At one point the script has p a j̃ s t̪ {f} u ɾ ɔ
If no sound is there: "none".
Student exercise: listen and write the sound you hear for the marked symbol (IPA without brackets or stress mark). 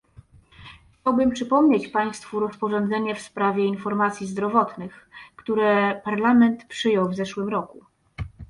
f